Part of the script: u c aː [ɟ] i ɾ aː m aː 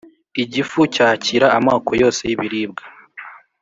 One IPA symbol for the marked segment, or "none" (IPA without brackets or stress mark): c